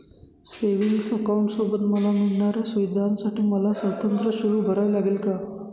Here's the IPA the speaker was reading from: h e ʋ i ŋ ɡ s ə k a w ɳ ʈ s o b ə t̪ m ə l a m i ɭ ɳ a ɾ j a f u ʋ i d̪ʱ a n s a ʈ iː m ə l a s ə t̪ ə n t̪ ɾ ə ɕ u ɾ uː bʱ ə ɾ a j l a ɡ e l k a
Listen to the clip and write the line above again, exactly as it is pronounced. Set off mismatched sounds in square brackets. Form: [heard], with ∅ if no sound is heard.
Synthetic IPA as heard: [s] e ʋ i ŋ ɡ s ə k a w ɳ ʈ s o b ə t̪ m ə l a m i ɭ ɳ a ɾ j a [s] u ʋ i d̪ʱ a n s a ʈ iː m ə l a s ə t̪ ə n t̪ ɾ ə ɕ u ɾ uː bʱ ə ɾ a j l a ɡ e l k a